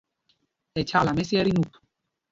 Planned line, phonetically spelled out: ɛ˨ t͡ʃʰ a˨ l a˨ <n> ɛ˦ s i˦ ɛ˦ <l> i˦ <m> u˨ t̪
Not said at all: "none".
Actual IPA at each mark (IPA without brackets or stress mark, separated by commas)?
m, ɾ, n